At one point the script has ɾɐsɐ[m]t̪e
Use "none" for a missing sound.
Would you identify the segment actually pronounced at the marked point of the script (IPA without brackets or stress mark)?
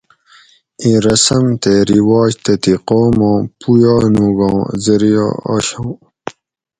m